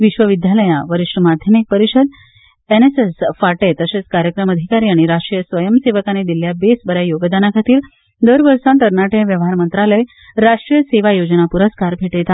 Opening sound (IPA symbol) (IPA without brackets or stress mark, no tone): ʋ